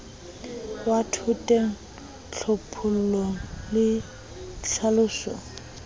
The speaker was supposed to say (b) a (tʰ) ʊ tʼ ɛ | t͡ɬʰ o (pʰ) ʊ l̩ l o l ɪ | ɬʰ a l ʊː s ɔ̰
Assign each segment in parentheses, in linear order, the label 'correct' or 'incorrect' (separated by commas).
incorrect, correct, correct